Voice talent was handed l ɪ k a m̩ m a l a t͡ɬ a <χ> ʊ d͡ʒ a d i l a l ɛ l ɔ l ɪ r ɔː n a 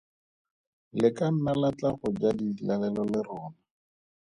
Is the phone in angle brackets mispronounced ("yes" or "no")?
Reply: no